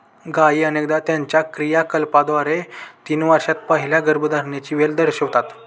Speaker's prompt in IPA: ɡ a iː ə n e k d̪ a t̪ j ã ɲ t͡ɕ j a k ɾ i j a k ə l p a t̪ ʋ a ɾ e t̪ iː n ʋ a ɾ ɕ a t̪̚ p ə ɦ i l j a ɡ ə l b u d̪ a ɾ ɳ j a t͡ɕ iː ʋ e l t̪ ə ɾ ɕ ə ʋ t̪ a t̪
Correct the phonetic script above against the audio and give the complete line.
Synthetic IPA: ɡ a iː ə n e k d̪ a t̪ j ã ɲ t͡ɕ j a k ɾ i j a k ə l p a d̪ ʋ a ɾ e t̪ iː n ʋ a ɾ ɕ a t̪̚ p ə ɦ i l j a ɡ ə ɾ b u d̪ a ɾ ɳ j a t͡ɕ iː ʋ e l d̪ ə ɾ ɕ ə ʋ t̪ a t̪

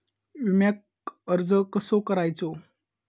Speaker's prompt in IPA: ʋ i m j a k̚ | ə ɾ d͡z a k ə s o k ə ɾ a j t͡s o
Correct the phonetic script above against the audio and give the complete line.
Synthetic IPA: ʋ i m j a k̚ | ə ɾ d͡z ə k ə s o k ə ɾ a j t͡s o

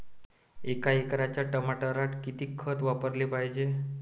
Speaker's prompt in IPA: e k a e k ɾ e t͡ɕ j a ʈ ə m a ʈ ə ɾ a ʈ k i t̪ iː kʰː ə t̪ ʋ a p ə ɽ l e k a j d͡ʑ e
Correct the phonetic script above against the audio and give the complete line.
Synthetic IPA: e k a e k ɾ a t͡ɕ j a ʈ ə m a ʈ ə ɾ a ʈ k i t̪ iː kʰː ə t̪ ʋ a p ə ɾ l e p a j d͡ʑ e

